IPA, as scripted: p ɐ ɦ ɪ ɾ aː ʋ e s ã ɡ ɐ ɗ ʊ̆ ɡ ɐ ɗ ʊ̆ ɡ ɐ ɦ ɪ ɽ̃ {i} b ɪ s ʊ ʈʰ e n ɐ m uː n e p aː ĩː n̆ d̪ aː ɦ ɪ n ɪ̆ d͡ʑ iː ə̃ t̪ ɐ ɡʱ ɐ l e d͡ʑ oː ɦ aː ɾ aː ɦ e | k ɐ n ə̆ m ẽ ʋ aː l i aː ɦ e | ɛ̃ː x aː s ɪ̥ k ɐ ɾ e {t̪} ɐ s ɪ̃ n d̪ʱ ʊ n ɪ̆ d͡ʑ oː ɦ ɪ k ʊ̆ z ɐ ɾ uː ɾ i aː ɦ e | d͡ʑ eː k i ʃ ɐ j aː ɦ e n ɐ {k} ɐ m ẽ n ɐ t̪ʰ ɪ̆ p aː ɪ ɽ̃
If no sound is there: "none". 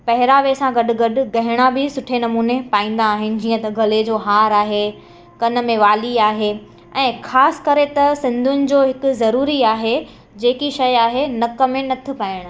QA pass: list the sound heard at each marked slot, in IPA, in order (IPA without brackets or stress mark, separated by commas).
a, t̪, k